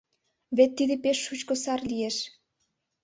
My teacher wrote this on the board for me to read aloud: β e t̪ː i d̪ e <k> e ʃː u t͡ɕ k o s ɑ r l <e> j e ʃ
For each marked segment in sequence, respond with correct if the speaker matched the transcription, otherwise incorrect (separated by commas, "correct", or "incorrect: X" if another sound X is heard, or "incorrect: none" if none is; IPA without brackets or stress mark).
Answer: incorrect: p, incorrect: i